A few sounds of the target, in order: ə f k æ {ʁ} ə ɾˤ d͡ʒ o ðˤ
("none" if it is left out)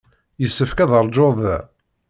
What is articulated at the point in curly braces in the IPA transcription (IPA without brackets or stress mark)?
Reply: ð